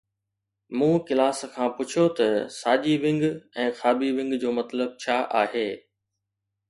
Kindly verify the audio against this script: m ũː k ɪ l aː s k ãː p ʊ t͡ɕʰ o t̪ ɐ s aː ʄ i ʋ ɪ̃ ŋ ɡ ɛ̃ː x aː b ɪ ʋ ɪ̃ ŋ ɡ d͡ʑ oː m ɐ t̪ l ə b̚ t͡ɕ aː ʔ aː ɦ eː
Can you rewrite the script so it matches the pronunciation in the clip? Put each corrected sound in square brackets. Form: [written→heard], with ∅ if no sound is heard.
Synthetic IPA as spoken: m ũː k ɪ l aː s [k→kʰ] ãː p ʊ t͡ɕʰ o t̪ ɐ s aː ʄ i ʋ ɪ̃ ŋ ɡ ɛ̃ː x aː b [ɪ→i] ʋ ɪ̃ ŋ ɡ d͡ʑ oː m ɐ t̪ l ə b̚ [t͡ɕ→t͡ɕʰ] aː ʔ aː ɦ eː